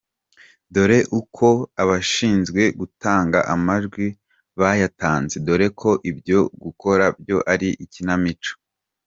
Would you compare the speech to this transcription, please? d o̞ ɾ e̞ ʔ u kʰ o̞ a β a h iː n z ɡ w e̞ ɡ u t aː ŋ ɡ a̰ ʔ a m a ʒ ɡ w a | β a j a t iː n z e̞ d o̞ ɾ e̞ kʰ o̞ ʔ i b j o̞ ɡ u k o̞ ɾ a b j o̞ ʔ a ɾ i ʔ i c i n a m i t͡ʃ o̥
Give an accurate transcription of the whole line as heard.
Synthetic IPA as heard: d o̞ ɾ e̞ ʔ u kʰ o̞ a β a ʃ iː n z ɡ w e̞ ɡ u t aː ŋ ɡ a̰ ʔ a m a ʒ ɡ w i | β a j a t aː n z e̞ d o̞ ɾ e̞ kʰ o̞ ʔ i b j o̞ ɡ u k o̞ ɾ a b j o̞ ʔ a ɾ i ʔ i c i n a m i t͡ʃ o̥